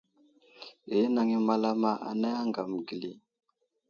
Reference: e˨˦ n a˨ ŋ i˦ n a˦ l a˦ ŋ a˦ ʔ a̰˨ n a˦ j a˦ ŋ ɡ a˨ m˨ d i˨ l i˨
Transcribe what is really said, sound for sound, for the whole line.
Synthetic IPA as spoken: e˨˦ n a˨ ŋ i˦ m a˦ l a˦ m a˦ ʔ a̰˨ n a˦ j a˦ ŋ ɡ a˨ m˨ ɡ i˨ l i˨